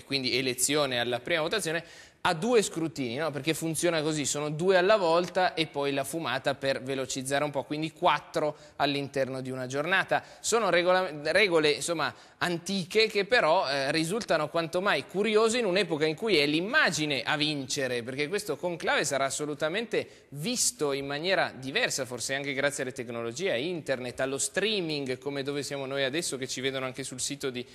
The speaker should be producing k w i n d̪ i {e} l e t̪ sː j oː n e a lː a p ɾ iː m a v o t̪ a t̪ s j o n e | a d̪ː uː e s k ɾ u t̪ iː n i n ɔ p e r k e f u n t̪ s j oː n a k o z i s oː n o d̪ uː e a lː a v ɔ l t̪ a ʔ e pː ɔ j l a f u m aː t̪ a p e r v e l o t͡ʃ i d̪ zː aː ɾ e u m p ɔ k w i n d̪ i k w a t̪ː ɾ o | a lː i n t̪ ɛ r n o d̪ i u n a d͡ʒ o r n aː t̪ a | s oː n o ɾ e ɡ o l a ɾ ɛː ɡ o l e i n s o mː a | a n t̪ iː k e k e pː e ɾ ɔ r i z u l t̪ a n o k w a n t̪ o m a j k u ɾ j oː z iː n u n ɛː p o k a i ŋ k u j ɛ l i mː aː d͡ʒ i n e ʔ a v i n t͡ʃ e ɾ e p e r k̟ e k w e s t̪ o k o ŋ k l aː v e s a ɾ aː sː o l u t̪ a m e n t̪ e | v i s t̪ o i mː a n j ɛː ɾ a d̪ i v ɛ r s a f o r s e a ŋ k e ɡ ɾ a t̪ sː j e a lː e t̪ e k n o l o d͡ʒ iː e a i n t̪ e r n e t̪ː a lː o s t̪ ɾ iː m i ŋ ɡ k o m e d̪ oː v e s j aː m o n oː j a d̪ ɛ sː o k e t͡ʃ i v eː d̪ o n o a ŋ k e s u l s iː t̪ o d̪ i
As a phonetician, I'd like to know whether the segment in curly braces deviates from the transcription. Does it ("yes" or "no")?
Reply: no